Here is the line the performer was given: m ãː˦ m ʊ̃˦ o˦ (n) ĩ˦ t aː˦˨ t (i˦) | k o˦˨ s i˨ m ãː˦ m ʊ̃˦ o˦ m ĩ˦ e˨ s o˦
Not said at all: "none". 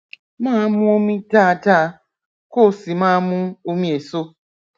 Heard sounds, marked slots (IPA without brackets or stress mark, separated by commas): m, a˦